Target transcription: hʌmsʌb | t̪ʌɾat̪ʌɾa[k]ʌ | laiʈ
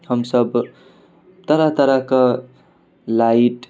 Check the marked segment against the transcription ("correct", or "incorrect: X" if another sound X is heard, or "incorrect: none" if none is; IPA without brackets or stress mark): correct